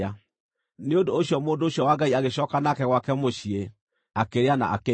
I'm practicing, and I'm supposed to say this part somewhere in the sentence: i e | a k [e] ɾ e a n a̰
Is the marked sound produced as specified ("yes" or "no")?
yes